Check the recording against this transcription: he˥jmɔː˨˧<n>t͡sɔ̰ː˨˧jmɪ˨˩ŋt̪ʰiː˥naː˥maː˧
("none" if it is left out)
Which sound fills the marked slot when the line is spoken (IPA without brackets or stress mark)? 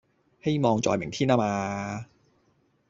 ŋ